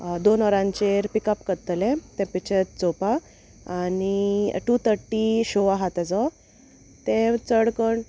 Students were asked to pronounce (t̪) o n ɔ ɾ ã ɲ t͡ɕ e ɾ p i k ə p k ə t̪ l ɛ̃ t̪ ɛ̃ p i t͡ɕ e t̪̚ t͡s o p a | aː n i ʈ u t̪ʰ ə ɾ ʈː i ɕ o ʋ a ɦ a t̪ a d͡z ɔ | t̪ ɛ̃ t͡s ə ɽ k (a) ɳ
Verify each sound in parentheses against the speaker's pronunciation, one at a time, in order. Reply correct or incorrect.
incorrect, incorrect

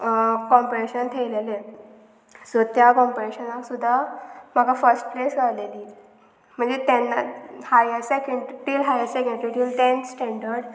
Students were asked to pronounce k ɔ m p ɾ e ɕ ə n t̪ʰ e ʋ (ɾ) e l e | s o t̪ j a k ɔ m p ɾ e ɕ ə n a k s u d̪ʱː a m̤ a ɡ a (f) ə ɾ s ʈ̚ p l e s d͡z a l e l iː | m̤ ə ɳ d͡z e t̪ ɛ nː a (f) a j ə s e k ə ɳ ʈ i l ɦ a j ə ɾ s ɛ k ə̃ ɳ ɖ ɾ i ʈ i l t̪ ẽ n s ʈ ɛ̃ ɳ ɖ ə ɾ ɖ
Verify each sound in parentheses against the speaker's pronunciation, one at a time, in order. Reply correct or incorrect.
incorrect, correct, incorrect

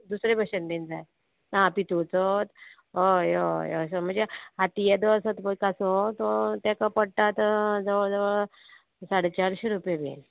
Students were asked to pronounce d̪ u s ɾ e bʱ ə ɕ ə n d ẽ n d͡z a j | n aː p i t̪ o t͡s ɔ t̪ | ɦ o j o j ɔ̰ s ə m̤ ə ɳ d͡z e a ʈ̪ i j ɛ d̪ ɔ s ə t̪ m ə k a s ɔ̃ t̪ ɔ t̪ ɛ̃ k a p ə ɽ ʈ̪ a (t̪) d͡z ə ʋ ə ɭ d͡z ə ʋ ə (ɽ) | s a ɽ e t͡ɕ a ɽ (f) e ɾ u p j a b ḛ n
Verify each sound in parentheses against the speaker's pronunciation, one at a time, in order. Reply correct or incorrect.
correct, incorrect, incorrect

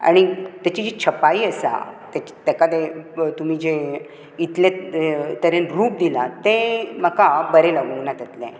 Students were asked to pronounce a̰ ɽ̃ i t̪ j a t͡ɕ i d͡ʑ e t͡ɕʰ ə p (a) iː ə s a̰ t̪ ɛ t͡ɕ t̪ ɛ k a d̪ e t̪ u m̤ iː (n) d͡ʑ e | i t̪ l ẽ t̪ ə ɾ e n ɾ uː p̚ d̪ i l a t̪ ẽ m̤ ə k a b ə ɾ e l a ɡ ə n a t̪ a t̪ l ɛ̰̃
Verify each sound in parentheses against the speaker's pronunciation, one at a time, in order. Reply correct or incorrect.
correct, incorrect

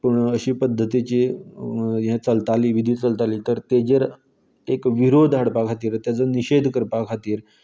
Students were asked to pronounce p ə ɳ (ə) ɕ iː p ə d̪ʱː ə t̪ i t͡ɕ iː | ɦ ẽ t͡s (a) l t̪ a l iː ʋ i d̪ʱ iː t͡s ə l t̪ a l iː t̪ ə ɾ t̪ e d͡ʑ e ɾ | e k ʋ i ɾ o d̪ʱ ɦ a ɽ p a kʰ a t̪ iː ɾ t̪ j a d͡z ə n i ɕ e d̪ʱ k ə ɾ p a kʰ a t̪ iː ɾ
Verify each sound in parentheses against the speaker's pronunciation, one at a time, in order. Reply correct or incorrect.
correct, incorrect

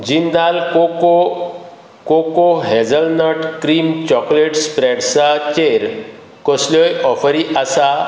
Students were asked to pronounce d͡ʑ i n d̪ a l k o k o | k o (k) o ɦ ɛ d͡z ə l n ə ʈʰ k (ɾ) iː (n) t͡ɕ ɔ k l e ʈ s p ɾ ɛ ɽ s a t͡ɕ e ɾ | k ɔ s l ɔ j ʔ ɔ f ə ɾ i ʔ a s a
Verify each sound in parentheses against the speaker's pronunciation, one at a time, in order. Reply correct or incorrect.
correct, correct, incorrect

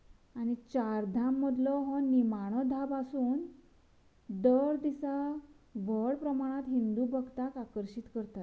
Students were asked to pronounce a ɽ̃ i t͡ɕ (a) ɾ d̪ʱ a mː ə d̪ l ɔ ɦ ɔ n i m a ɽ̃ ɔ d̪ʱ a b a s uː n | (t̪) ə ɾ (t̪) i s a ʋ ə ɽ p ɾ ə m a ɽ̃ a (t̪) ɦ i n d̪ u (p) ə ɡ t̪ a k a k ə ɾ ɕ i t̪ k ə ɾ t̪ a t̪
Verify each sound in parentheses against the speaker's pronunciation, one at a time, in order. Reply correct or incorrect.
correct, incorrect, incorrect, correct, incorrect

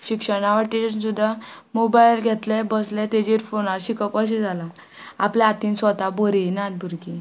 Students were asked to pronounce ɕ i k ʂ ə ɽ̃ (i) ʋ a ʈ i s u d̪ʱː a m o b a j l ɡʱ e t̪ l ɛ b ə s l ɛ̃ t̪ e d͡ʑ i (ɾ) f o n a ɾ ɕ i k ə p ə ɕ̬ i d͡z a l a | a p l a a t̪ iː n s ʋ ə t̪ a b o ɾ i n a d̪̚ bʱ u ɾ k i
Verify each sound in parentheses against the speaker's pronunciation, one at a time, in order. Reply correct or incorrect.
incorrect, correct

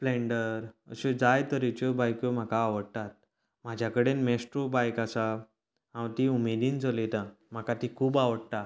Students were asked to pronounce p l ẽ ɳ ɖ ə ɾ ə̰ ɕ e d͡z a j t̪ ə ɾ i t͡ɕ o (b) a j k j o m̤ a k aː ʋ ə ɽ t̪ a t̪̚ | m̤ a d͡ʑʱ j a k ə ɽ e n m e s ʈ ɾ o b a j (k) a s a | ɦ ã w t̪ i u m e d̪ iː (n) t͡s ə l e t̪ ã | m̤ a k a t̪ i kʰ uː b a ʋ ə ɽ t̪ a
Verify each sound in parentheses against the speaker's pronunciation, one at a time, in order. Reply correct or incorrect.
correct, correct, correct

